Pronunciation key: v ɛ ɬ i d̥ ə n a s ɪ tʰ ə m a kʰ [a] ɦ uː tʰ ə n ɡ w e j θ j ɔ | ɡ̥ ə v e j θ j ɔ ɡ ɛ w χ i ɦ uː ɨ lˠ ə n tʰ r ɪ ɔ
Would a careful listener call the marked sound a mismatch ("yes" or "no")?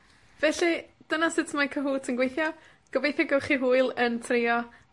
yes